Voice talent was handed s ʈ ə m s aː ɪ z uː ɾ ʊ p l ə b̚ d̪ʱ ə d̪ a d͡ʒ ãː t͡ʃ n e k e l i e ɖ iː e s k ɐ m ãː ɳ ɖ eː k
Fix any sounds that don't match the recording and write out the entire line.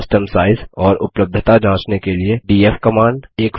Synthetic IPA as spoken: s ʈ ə m s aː ɪ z ɔː ɾ ʊ p l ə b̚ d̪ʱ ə t̪ a d͡ʒ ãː t͡ʃ n e k e l i e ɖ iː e f k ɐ m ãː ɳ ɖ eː k

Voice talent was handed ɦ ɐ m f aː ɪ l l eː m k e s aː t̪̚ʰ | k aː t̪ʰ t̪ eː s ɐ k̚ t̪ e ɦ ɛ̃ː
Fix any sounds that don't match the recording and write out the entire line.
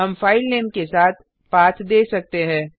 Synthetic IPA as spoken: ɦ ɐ m f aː ɪ l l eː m k e s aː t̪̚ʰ | p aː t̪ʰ d̪ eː s ɐ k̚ t̪ e ɦ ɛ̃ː

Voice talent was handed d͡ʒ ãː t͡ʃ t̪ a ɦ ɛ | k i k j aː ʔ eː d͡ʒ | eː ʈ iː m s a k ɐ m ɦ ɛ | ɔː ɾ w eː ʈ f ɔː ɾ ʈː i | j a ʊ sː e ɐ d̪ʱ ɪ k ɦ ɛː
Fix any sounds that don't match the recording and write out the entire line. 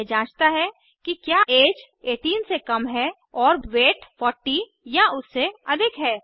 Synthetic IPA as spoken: d͡ʒ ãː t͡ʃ t̪ a ɦ ɛ | k i k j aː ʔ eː d͡ʒ | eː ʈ iː n s e k ɐ m ɦ ɛ | ɔː ɾ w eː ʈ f ɔː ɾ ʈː i | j a ʊ sː e ɐ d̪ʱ ɪ k ɦ ɛː

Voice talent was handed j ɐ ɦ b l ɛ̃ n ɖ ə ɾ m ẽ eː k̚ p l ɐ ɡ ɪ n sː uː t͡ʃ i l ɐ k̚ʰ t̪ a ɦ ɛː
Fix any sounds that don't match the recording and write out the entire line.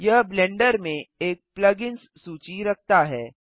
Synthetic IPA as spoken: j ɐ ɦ b l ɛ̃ ɳ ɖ ə ɾ m ẽ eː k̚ p l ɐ ɡ ɪ n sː uː t͡ʃ i ɾ ɐ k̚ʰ t̪ a ɦ ɛː

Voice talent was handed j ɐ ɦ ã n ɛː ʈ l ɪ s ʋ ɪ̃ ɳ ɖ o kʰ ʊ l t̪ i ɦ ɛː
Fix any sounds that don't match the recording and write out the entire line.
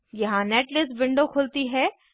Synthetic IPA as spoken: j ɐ ɦ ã n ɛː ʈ l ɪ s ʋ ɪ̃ ɳ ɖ o kʰ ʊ l t̪ i ɦ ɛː

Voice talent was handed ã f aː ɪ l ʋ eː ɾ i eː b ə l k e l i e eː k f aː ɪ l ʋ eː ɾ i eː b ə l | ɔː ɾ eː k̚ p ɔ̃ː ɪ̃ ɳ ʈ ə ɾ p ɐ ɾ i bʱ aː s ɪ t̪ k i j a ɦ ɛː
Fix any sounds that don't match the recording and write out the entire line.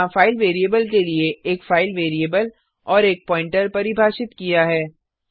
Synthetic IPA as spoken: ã f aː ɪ l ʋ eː ɾ i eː b ə l k e l i e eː k f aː ɪ l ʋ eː ɾ i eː b ə l | ɔː ɾ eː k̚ p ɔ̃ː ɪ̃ ɳ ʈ ə ɾ p ɐ ɾ i bʱ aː ʃ ɪ t̪ k i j a ɦ ɛː

